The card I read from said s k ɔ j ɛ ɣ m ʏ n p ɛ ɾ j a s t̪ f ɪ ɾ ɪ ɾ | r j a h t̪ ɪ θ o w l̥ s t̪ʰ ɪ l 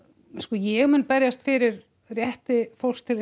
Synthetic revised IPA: s k ɔ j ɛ ɣ m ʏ n p ɛ ɾ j a s t̪ f ɪ ɾ ɪ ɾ | r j ɛ h t̪ ɪ f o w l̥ s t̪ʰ ɪ l